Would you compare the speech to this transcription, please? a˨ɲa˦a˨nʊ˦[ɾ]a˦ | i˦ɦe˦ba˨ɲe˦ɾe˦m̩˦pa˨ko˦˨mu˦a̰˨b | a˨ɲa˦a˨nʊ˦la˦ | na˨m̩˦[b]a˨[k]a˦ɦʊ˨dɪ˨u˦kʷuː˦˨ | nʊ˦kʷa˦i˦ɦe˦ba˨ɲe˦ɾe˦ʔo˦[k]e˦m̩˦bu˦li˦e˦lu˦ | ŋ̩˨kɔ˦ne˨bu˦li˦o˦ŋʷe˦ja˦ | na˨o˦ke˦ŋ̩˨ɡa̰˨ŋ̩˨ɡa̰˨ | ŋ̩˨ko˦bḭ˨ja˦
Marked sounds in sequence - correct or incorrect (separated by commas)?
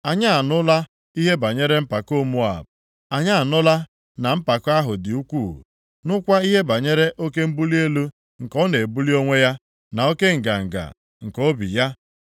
incorrect, incorrect, correct, correct